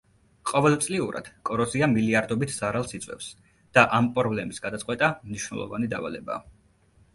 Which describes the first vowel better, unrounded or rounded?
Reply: rounded